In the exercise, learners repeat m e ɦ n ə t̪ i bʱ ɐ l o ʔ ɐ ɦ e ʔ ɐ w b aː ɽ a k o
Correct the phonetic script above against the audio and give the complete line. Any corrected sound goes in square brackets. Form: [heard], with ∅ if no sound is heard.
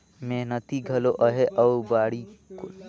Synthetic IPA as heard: m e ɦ n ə t̪ i [ɡʱ] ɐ l o ʔ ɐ ɦ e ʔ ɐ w b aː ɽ [i] k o